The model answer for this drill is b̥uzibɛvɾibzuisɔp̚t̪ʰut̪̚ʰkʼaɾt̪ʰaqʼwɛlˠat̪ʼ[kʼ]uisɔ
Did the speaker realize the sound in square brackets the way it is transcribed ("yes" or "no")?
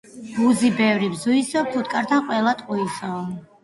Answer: no